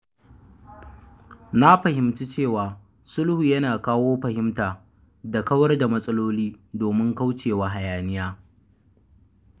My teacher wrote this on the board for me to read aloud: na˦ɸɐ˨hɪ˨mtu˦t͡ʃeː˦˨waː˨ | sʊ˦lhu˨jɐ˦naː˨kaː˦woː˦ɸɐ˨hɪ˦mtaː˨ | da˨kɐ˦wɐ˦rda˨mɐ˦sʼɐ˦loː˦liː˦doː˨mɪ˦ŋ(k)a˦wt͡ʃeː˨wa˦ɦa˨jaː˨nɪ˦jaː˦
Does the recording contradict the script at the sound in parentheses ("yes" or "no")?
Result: no